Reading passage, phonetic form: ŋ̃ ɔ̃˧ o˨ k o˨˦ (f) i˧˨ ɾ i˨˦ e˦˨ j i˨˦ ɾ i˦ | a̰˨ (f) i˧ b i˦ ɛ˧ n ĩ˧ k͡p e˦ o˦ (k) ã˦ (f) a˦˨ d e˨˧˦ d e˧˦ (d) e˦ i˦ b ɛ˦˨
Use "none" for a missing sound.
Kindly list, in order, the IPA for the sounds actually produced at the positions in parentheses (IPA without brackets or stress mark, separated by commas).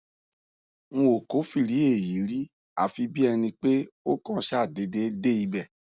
f, f, k, ʃ, d